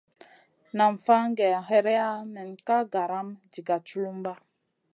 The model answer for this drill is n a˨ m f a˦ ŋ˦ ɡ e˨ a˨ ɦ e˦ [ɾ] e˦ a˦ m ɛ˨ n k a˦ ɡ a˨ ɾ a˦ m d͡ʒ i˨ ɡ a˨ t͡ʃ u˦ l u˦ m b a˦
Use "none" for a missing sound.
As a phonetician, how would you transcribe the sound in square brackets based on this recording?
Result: ɾ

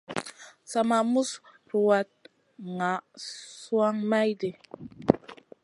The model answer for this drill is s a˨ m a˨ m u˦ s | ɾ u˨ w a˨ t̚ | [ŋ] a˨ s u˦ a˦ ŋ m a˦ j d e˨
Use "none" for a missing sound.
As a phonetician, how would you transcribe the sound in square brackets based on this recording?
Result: ŋ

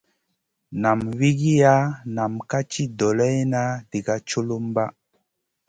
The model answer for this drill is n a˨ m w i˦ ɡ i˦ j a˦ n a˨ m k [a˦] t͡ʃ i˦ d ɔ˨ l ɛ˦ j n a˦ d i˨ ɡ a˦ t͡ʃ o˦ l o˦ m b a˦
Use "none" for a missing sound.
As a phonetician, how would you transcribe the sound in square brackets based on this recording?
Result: a˦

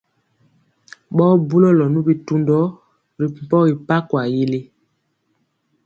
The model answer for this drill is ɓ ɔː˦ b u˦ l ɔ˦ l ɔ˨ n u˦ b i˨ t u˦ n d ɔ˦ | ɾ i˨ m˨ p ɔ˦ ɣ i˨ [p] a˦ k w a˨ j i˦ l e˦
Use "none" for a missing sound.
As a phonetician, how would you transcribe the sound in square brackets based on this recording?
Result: p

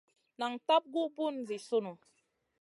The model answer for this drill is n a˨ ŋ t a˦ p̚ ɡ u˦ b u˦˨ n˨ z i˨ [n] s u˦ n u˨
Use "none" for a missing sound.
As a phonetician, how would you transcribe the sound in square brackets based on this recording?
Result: none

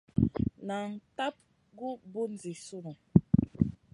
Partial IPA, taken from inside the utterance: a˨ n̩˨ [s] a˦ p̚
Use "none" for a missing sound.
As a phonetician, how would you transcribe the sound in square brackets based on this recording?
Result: t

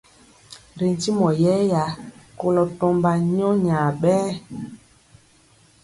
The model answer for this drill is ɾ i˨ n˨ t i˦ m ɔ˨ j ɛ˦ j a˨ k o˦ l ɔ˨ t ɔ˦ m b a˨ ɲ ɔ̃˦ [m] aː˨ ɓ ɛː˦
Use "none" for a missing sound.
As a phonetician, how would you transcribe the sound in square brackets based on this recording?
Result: ɲ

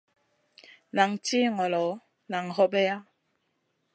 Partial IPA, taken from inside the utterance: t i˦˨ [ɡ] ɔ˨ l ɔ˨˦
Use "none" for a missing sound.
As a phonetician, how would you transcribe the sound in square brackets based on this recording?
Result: ŋ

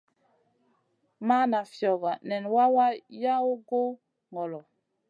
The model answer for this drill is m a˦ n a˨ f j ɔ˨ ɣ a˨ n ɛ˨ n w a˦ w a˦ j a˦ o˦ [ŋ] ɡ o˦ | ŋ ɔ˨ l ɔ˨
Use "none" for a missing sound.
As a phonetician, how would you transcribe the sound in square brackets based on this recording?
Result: none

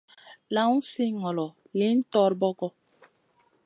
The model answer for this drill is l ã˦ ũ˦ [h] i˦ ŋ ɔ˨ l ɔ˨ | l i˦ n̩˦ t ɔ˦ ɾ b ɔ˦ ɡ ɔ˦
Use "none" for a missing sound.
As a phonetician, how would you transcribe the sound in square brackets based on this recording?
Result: s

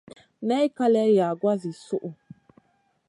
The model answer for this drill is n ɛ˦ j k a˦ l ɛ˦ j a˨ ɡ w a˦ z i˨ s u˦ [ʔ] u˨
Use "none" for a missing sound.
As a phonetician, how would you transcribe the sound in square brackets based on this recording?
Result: ʔ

